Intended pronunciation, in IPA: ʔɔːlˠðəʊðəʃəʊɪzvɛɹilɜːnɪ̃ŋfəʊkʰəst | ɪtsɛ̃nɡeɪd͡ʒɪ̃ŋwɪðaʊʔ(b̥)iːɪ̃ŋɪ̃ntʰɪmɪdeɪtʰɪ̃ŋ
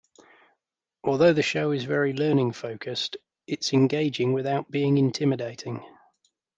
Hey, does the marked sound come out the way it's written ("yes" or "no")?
yes